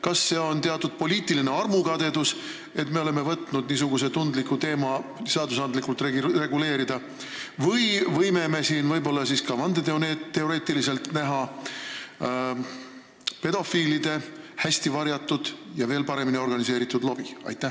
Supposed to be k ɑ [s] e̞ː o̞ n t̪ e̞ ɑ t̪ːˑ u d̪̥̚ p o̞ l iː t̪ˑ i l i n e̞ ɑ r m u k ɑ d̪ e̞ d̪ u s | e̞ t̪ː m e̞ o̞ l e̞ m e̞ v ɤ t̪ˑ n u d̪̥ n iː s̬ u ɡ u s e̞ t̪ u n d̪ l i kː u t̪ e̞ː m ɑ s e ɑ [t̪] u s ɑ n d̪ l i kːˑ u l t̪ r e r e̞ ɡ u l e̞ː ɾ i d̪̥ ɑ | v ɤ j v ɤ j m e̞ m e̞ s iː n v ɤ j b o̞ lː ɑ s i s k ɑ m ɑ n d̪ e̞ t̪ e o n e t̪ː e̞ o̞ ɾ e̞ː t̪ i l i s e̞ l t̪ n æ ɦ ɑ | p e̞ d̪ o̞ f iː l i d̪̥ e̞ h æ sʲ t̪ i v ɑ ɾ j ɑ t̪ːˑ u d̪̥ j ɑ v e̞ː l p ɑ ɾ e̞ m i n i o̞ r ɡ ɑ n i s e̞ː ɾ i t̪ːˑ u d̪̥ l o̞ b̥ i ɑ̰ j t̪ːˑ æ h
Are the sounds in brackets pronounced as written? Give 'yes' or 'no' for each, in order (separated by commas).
no, no